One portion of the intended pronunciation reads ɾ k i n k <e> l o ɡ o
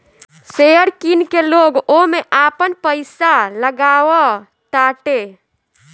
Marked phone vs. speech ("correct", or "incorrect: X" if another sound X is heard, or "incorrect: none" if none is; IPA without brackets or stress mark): correct